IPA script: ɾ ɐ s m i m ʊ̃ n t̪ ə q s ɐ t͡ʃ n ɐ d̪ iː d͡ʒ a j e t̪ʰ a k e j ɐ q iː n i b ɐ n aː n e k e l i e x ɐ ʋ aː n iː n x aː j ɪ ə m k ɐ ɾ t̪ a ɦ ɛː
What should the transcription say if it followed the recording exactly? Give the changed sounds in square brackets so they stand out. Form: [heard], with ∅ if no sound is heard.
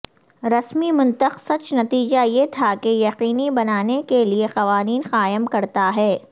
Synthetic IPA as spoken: ɾ ɐ s m i m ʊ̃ n t̪ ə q s ɐ t͡ʃ n ɐ [t̪] iː d͡ʒ a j e t̪ʰ a k e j ɐ q iː n i b ɐ n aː n e k e l i e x ɐ ʋ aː n iː n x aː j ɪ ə m k ɐ ɾ t̪ a ɦ ɛː